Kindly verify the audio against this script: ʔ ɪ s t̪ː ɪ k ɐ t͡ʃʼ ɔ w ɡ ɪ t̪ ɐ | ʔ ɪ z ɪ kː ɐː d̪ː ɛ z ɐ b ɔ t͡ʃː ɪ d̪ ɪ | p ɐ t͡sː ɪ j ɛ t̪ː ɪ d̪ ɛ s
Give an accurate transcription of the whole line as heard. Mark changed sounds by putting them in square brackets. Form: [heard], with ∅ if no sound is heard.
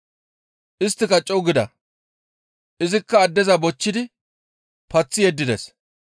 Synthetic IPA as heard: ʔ ɪ s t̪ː ɪ k ɐ t͡ʃʼ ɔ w ɡ ɪ [d̪] ɐ | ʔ ɪ z ɪ kː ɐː d̪ː ɛ z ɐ b ɔ t͡ʃː ɪ d̪ ɪ | p ɐ t͡sː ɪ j ɛ [d̪ː] ɪ d̪ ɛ s